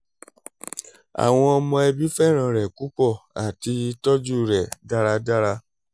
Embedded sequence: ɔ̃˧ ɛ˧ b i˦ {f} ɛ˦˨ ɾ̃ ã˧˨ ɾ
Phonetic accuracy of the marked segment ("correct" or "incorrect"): correct